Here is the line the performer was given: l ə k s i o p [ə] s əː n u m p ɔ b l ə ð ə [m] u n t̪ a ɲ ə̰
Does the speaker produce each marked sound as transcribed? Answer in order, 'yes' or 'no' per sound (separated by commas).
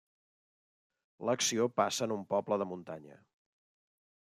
no, yes